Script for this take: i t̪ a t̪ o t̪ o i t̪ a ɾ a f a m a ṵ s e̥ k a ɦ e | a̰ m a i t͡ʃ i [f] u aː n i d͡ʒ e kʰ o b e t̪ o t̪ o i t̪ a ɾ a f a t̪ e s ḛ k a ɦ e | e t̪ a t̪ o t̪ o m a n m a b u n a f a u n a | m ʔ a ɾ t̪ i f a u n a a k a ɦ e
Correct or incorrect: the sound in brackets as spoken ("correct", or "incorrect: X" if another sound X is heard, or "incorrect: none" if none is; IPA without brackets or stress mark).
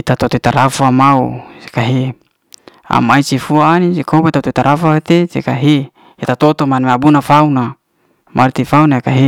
correct